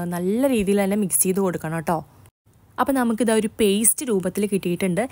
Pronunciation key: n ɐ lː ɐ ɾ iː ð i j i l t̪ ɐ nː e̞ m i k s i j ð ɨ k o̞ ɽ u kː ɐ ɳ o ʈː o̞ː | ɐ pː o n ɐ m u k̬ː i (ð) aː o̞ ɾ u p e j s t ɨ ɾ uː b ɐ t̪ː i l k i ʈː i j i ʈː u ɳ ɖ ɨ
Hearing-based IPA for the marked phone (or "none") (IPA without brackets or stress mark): ð